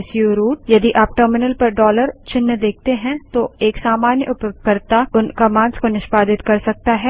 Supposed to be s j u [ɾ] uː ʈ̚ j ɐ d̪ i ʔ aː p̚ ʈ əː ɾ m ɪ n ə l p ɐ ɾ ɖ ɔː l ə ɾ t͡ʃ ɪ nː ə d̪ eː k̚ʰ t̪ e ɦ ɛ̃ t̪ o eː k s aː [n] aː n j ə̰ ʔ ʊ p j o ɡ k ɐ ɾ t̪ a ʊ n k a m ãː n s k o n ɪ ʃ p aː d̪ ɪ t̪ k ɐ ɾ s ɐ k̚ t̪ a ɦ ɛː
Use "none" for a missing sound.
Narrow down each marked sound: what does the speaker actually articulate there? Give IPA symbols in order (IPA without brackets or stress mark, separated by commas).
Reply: ɾ, m